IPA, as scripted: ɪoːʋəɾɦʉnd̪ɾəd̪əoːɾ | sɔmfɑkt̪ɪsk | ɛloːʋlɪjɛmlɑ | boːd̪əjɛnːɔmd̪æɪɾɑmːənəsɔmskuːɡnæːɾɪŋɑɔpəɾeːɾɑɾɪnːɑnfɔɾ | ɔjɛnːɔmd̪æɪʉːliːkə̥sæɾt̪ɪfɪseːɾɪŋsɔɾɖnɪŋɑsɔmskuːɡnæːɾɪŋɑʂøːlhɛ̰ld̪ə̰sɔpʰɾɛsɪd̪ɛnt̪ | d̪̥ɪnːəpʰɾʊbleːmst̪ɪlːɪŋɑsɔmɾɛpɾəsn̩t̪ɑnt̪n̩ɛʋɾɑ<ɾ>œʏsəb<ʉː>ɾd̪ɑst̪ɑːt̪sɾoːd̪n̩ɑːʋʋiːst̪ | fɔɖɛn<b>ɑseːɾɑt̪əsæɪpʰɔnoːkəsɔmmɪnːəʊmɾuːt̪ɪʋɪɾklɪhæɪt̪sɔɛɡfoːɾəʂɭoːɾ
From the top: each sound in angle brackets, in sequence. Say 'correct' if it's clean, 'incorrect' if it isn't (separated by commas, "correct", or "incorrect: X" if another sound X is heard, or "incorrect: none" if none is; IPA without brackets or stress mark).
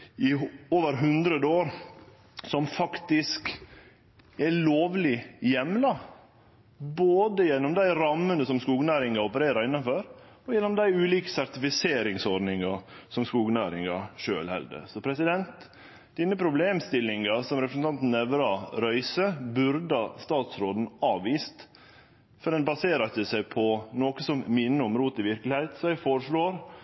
correct, incorrect: ʉ, correct